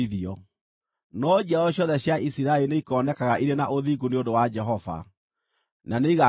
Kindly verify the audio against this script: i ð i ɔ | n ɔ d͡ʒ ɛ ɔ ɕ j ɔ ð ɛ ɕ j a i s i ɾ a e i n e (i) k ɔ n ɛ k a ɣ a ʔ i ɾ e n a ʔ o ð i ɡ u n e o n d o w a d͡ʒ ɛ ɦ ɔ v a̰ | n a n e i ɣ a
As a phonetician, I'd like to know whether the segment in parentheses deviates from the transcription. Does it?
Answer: no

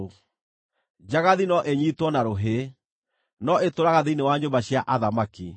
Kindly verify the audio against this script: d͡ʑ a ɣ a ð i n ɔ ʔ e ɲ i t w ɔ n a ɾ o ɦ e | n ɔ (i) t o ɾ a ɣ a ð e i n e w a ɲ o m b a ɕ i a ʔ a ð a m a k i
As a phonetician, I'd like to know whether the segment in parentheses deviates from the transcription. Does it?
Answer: yes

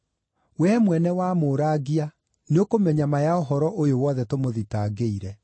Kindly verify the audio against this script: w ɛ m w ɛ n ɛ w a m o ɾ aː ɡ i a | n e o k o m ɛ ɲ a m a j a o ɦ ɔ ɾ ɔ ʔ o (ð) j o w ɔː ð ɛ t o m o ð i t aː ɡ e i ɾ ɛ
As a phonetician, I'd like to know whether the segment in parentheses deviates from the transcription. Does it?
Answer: yes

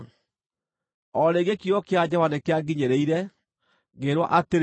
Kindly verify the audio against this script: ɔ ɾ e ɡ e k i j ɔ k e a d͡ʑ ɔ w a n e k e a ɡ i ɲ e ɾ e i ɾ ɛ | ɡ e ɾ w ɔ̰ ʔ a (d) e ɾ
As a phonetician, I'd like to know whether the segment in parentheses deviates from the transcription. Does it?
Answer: yes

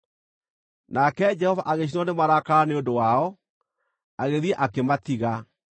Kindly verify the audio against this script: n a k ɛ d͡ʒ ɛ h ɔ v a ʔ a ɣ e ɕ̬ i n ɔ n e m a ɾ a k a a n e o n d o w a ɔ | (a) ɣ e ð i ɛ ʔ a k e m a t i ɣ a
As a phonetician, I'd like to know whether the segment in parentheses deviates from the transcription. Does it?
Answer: no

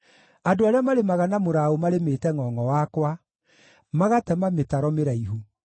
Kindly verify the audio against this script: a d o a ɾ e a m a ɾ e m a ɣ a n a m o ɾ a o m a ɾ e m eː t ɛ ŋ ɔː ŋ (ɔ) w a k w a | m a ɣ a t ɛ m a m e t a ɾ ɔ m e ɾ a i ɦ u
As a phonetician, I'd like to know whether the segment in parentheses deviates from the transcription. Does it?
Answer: no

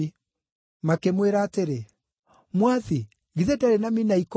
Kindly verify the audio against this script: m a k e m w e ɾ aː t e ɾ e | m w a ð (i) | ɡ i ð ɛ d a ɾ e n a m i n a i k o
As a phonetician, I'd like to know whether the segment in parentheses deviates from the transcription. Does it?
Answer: no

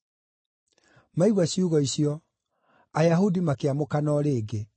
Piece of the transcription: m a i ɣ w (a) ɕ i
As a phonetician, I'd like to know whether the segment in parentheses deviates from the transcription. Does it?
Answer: no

